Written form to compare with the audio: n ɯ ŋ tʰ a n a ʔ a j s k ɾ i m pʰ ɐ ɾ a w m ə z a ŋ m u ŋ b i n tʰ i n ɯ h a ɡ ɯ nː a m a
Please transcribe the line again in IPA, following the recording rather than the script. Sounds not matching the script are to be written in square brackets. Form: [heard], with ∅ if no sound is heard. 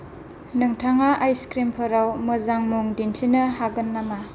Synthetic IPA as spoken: n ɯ ŋ tʰ a [ŋ] a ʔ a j s k ɾ i m pʰ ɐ ɾ a w m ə z a ŋ m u ŋ [d] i n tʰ i n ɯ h a ɡ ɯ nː a m a